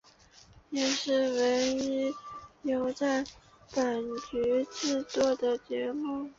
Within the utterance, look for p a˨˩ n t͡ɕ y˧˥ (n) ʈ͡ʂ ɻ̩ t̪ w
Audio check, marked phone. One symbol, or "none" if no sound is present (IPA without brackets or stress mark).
none